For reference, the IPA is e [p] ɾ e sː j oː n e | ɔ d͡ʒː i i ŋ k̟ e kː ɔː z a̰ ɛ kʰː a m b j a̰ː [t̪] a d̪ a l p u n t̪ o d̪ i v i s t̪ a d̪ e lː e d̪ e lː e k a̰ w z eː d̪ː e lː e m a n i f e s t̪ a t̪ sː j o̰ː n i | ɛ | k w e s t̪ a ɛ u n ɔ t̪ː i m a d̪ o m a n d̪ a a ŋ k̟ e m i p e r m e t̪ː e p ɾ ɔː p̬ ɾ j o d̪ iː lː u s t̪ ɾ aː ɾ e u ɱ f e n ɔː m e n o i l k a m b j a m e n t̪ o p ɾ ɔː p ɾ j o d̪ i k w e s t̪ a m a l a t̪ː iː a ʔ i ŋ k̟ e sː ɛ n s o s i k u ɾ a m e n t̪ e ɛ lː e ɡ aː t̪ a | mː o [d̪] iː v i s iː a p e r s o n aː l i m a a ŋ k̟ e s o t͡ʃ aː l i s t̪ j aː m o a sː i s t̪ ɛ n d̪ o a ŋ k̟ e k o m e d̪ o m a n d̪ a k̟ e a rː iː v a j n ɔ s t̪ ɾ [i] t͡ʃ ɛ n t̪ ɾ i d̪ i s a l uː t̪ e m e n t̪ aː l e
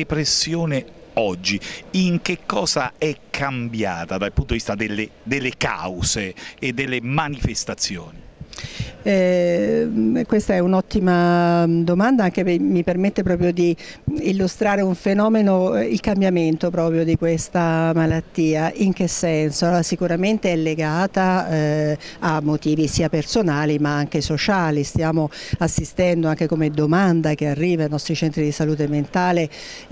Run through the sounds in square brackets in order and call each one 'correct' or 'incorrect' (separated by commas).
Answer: correct, correct, incorrect, correct